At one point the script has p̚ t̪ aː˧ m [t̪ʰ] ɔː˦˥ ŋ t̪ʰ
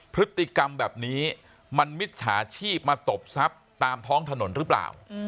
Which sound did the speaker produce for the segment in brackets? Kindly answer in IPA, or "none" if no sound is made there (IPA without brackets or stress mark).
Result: t̪ʰ